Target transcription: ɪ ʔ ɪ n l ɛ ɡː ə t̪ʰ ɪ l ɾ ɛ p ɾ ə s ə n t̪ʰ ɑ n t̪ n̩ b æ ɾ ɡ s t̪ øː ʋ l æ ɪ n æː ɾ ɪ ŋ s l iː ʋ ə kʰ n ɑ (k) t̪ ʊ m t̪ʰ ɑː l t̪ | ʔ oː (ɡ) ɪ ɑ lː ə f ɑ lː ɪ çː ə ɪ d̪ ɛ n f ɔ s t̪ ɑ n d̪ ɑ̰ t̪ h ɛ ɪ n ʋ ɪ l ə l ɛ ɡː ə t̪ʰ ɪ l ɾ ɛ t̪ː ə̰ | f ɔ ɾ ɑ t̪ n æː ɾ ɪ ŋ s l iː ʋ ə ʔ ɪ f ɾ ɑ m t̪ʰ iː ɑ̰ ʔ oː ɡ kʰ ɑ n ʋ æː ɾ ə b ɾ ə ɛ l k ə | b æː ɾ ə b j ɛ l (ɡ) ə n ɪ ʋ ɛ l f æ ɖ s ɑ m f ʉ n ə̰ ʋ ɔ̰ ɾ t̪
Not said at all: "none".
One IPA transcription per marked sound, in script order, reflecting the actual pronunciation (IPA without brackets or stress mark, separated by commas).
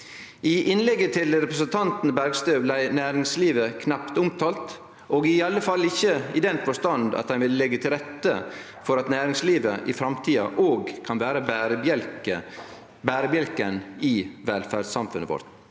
p, ɡ, k